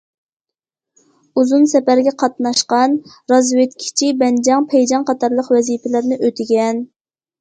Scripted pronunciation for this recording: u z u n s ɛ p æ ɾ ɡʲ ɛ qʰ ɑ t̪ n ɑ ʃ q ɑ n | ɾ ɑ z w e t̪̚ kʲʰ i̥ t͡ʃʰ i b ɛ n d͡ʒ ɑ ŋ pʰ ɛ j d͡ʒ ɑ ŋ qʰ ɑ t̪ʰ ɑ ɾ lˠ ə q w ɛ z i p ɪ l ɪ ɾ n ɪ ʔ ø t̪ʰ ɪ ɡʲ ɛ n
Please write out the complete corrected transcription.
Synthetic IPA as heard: u z u n s ɛ p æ ɾ ɡʲ ɛ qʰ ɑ t̪ n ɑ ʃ q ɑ n | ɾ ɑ z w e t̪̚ kʲʰ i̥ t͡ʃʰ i b ɛ n d͡ʒ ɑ ŋ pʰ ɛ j d͡ʒ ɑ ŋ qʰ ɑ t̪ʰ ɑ ɾ lˠ ə q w ɛ z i p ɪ l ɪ ɾ n ɪ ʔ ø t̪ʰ ɪ ɡʲ ɛ n